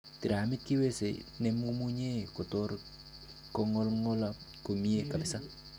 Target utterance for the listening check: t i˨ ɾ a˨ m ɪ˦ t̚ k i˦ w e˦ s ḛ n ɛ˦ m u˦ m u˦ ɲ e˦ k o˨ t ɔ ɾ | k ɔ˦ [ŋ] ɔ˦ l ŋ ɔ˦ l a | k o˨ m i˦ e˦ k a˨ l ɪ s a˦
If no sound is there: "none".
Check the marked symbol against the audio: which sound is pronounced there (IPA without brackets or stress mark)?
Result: ŋ